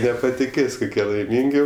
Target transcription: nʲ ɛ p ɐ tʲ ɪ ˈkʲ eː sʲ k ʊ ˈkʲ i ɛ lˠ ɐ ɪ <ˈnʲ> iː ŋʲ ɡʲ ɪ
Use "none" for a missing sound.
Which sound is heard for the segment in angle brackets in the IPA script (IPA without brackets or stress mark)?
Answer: mʲ